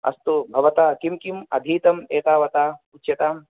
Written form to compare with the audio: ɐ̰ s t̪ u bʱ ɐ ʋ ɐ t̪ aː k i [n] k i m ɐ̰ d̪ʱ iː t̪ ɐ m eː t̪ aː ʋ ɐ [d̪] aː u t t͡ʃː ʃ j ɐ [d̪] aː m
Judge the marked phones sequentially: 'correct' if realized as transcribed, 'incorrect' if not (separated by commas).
incorrect, incorrect, incorrect